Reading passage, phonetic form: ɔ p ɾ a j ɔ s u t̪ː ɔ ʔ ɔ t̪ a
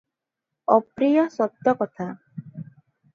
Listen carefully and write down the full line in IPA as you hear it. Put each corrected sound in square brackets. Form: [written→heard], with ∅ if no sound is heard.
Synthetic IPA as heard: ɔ p ɾ [a→i] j ɔ s [u→ɔ] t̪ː ɔ [ʔ→k] ɔ [t̪→t̪ʰ] a

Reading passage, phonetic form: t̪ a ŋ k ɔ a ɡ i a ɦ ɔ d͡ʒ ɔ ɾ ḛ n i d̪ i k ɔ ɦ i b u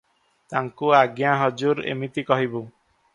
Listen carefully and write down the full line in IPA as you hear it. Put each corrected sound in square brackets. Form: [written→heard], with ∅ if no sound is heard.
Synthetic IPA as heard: t̪ a ŋ k [ɔ→u] a ɡ [i→j] a ɦ ɔ d͡ʒ [ɔ→u] ɾ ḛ [n→m] i [d̪→t̪] i k ɔ ɦ i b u

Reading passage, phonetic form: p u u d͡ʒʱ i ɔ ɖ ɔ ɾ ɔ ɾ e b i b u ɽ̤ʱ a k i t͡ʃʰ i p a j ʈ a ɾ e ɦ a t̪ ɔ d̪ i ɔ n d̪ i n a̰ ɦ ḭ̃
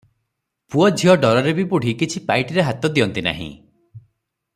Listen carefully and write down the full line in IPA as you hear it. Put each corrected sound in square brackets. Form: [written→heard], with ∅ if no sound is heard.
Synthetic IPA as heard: p u [u→ɔ] d͡ʒʱ i ɔ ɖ ɔ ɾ ɔ ɾ e b i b u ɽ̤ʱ [a→i] k i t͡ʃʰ i p a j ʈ [a→i] ɾ e ɦ a t̪ ɔ d̪ i ɔ n [d̪→t̪] i n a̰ ɦ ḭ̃

